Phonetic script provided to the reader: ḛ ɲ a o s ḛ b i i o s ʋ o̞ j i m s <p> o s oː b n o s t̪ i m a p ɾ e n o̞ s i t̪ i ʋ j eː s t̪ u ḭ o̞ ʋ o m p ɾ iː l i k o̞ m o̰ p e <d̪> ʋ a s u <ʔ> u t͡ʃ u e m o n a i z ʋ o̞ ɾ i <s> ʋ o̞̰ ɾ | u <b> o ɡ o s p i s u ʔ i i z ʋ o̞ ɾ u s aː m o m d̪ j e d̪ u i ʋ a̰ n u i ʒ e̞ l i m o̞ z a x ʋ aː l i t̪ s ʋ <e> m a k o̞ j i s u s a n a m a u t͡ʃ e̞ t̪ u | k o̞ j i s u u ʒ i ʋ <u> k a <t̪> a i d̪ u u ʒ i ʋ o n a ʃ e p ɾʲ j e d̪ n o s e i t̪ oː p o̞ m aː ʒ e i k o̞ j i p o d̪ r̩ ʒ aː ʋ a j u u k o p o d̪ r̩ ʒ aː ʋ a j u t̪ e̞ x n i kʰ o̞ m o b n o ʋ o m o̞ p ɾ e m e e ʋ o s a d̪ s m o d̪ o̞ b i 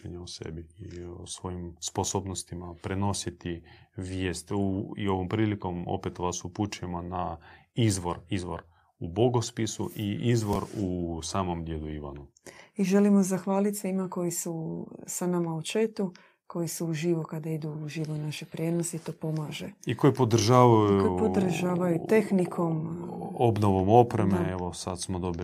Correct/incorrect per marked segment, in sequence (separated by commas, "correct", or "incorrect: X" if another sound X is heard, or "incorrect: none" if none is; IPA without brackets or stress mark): correct, incorrect: t̪, incorrect: p, incorrect: z, correct, incorrect: i, incorrect: o, incorrect: d̪